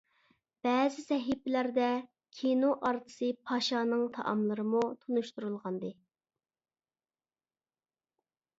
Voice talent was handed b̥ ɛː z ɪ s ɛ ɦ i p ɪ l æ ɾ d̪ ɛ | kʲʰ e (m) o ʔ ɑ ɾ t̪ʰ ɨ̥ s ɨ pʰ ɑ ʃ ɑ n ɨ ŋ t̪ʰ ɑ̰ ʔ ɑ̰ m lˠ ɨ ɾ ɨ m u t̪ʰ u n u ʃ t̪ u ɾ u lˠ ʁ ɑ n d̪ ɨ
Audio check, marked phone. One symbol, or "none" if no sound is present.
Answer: n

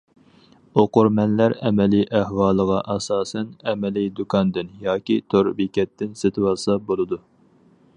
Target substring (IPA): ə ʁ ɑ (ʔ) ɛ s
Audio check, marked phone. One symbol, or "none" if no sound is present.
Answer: ʔ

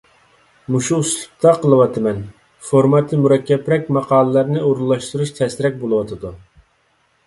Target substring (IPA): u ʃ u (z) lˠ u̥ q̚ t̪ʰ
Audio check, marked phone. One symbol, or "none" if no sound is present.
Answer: s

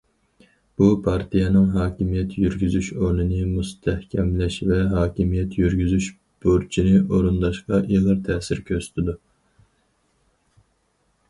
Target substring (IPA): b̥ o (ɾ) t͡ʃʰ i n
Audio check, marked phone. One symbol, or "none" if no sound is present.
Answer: ɾ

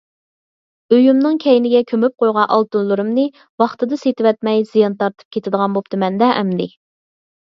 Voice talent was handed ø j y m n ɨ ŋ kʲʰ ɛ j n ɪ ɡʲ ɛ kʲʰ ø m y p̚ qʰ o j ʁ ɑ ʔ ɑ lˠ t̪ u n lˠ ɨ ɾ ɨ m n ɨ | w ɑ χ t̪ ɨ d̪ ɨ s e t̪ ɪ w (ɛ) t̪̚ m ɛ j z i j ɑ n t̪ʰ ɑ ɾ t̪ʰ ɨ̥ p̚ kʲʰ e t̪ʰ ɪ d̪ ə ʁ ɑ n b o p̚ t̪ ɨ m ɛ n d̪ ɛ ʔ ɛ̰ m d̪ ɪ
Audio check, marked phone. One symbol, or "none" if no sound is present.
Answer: ɛ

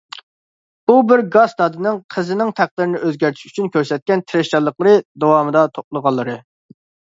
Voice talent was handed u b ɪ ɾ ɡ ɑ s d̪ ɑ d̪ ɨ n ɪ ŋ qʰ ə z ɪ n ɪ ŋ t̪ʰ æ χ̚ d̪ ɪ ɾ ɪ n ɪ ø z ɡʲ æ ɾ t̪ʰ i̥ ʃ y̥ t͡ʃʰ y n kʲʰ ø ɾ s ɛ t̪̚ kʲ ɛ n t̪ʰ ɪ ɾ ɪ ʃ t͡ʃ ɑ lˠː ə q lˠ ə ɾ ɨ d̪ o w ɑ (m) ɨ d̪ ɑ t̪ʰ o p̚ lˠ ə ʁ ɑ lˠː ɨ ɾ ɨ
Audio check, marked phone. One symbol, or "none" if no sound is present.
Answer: m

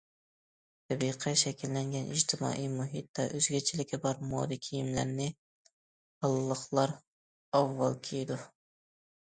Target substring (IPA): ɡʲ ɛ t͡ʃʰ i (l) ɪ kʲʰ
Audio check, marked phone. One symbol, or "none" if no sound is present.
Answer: l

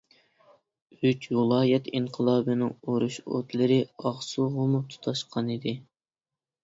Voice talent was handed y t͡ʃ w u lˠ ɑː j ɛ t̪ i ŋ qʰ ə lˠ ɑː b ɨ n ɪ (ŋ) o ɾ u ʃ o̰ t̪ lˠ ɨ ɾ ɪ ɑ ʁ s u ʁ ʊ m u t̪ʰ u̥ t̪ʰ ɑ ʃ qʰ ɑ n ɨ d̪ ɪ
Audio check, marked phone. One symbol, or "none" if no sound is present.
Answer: ŋ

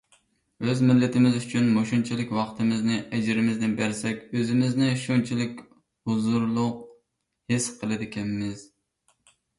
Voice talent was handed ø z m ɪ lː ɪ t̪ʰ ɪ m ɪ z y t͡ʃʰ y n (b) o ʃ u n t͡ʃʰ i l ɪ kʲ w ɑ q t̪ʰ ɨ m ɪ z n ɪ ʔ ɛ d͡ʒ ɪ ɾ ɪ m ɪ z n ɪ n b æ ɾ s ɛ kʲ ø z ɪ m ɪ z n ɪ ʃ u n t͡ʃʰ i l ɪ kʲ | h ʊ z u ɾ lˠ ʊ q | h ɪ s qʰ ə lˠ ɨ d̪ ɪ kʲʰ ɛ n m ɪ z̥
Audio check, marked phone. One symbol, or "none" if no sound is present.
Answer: m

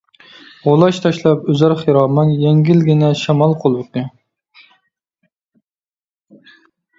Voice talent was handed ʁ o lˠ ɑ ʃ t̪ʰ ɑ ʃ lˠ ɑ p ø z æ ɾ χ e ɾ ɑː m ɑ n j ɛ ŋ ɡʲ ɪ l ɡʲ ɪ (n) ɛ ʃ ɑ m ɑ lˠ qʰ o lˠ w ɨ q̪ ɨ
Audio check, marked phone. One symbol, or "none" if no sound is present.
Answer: n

